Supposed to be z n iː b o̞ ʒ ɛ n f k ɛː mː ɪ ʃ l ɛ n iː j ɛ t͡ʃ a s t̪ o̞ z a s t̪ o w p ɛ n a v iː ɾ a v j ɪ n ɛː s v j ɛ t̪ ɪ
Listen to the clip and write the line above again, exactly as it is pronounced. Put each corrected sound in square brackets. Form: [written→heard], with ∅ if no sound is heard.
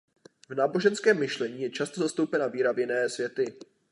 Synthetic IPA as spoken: [z→v] n [iː→aː] b o̞ ʒ ɛ n [f→s] k ɛː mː ɪ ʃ l ɛ [n→ɲ] iː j ɛ t͡ʃ a s t̪ o̞ z a s t̪ o w p ɛ n a v iː ɾ a v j ɪ n ɛː s v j ɛ t̪ ɪ